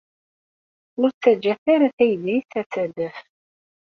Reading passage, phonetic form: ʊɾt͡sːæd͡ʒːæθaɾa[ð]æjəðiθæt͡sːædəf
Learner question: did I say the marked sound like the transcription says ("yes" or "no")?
no